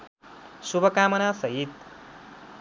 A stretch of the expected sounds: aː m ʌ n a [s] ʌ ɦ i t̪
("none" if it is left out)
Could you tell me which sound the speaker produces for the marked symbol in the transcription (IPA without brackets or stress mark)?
s